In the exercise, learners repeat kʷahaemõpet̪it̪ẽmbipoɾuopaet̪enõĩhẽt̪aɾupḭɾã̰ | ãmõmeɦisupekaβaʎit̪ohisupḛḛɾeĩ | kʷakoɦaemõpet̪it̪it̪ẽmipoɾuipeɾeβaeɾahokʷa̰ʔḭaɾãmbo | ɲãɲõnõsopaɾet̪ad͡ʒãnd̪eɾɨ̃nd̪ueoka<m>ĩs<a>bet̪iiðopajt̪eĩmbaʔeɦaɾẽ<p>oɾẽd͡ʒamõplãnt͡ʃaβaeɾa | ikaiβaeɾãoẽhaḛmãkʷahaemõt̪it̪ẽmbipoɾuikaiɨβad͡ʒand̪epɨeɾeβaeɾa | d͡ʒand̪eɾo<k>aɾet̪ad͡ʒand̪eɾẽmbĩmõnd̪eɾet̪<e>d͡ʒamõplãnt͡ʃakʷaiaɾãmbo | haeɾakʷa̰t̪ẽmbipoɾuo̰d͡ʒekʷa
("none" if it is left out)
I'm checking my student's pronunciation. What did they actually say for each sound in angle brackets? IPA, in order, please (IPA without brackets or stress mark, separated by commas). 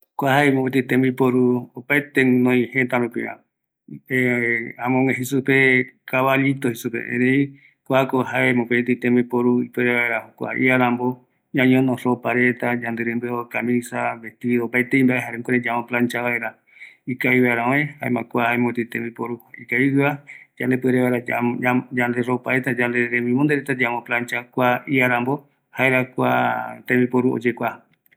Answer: m, a, k, p, a